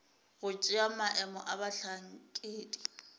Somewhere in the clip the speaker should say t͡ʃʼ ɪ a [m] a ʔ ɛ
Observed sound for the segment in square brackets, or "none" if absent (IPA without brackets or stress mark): m